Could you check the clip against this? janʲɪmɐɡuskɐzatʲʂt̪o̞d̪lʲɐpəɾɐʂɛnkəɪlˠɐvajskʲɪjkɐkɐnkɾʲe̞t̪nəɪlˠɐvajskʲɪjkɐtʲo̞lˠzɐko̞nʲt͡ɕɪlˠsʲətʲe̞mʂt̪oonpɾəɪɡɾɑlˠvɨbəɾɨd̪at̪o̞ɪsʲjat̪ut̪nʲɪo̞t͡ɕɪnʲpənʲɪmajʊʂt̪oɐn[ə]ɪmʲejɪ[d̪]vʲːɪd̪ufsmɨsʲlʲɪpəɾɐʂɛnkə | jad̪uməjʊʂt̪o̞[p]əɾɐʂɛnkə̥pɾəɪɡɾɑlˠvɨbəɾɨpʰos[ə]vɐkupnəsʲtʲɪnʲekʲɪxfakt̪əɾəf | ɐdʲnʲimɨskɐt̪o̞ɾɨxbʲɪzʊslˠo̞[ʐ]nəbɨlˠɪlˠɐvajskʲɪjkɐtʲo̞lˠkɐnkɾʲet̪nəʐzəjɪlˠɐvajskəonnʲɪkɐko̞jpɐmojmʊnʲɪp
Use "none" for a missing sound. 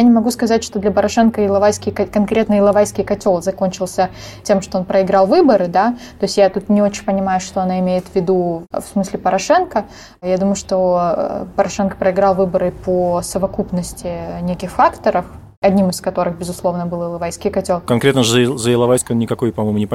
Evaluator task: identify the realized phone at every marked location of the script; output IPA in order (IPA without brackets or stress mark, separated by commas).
a, t̪, p, ə, v